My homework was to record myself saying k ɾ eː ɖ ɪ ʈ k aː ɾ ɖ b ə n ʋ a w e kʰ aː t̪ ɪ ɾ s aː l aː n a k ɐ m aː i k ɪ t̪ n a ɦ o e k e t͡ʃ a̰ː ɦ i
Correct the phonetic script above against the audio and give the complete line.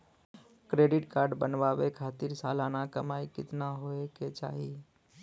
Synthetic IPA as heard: k ɾ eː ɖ ɪ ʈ k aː ɾ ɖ b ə n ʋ a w e kʰ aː t̪ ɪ ɾ s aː l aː n a k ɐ m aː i k ɪ t̪ n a ɦ o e k e t͡ʃ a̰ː ɦ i